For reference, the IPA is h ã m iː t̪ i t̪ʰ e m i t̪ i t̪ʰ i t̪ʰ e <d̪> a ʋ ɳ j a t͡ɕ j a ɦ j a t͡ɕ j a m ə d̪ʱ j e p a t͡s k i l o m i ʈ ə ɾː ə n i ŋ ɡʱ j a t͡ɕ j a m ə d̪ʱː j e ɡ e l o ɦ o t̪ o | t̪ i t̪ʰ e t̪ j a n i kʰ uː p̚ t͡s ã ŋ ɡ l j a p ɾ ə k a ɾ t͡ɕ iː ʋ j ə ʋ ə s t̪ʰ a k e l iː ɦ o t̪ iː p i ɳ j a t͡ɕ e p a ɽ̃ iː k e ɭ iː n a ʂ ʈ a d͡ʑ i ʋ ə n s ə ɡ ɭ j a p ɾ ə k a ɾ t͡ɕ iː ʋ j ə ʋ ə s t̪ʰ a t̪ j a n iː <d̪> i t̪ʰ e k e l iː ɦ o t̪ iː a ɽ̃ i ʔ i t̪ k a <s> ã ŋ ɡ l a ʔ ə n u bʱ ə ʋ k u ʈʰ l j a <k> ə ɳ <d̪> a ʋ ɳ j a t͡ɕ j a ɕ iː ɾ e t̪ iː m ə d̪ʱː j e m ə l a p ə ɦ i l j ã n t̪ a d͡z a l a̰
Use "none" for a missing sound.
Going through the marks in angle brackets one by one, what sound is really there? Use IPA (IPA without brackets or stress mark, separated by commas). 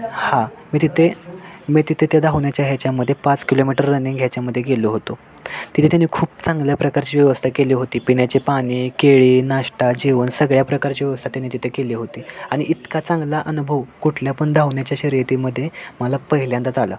d̪, t̪, t͡s, p, d̪